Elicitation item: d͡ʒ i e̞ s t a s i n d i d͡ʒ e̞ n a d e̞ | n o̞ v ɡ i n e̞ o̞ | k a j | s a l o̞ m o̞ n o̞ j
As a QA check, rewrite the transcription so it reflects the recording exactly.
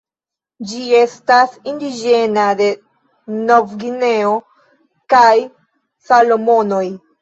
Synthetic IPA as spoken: d͡ʒ i e̞ s t a s i n d i d͡ʒ e̞ n a d e̞ | n o̞ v ɡ i n e̞ o̞ | k a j | s a l o̞ m o̞ n o̞ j